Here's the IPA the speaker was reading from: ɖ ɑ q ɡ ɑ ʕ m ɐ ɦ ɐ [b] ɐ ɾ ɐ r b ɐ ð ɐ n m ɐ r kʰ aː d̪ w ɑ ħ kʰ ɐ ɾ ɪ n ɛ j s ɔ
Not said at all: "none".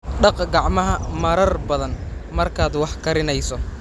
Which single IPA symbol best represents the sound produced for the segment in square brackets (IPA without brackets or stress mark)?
m